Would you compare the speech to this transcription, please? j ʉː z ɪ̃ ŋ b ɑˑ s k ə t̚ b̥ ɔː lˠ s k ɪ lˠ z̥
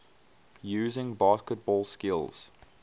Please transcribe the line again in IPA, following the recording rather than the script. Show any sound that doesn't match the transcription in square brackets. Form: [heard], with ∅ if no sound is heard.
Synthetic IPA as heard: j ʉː z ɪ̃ ŋ b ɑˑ s k ə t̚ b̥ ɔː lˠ s k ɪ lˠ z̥